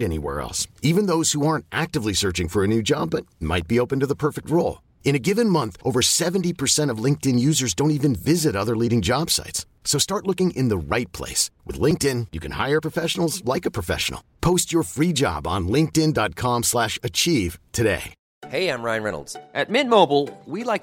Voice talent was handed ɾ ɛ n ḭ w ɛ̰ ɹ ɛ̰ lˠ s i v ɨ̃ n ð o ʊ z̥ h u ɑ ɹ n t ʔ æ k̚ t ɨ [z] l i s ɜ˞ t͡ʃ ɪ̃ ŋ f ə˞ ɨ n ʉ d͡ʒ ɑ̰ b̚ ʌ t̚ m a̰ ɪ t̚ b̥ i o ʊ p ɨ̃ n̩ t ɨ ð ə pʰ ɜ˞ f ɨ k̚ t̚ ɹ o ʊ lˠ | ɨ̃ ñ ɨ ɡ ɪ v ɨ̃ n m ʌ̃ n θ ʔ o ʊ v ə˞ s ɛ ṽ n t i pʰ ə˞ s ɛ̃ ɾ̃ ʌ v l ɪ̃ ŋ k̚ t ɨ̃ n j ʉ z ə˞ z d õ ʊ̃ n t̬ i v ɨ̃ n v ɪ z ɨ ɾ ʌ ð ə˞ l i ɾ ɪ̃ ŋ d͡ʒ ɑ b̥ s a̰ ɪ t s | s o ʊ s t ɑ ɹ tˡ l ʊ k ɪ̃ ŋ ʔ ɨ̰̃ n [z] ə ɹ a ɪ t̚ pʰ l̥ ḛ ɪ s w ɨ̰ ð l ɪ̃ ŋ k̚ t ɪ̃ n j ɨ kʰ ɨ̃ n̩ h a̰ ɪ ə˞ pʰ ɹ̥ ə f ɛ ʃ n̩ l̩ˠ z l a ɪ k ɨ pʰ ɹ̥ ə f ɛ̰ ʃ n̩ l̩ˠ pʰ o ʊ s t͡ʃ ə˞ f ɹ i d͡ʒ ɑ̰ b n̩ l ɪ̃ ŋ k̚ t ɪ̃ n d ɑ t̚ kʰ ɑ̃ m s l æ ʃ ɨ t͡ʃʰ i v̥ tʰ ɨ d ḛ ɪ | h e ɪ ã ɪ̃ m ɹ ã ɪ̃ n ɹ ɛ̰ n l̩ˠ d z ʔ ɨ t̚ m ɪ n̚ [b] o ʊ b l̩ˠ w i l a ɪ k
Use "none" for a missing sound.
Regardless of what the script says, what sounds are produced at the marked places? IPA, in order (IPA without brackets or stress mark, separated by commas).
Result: v, ð, m